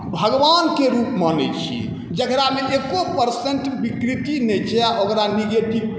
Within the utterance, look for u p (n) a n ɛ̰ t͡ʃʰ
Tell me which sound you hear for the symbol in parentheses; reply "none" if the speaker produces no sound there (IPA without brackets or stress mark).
m